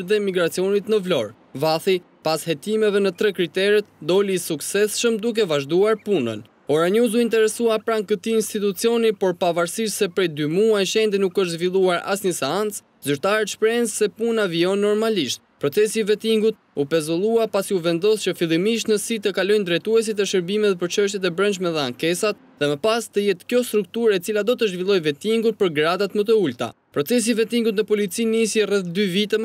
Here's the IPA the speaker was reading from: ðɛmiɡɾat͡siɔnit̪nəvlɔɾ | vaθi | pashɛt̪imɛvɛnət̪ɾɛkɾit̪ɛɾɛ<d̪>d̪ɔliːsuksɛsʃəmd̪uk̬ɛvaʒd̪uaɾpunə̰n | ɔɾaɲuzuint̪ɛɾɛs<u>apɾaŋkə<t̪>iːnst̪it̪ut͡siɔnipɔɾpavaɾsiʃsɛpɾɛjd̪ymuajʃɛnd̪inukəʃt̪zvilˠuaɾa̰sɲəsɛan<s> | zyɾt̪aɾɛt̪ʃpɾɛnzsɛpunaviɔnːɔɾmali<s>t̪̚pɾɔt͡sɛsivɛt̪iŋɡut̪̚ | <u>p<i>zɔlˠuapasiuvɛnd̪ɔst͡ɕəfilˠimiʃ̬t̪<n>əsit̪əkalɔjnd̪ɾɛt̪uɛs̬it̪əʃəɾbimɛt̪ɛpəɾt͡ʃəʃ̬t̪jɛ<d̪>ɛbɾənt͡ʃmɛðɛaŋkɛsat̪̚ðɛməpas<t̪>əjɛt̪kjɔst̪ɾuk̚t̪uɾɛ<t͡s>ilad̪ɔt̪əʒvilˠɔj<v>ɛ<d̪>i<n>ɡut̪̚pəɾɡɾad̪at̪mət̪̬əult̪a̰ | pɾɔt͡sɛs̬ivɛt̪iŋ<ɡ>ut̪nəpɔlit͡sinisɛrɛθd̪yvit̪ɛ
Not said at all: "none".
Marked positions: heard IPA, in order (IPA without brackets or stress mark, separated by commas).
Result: t̪, u, t̪, t͡s, ʃ, u, ɛ, n, t̪, t̪, t͡s, v, t̪, ŋ, ɡ